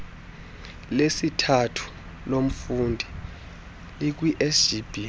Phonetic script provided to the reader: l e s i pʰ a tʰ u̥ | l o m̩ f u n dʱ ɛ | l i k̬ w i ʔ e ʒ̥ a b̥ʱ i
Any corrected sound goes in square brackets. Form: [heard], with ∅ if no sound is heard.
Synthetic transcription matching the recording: l e s i [tʰ] a tʰ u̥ | l o m̩ f u n dʱ [i] | l i k̬ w i ʔ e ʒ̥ [i] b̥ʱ i